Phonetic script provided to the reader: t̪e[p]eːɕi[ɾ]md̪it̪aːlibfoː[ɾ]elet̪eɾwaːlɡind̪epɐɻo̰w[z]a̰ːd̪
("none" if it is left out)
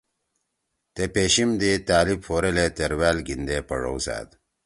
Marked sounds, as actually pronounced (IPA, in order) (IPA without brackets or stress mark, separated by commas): p, none, ɾ, s